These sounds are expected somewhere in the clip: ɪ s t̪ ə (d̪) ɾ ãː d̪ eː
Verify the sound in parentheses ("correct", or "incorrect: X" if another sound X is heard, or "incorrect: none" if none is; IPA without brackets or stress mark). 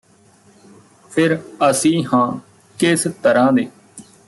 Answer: incorrect: none